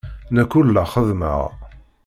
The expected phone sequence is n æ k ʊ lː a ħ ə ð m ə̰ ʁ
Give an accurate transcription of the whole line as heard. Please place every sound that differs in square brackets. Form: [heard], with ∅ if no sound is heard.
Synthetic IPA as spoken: n æ k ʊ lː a [χ] ə ð m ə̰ ʁ